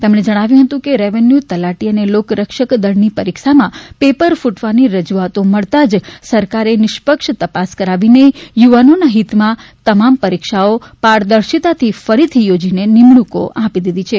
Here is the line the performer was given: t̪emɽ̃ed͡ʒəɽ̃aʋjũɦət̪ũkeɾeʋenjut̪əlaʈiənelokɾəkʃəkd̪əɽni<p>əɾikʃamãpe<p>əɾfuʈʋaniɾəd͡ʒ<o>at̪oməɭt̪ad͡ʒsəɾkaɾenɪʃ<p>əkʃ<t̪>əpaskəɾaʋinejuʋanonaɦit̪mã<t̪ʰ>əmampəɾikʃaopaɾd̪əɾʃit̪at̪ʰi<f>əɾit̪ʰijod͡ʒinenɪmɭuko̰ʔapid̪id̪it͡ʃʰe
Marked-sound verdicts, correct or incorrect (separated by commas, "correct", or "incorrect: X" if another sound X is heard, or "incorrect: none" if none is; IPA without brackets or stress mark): correct, correct, incorrect: u, correct, correct, incorrect: t̪, correct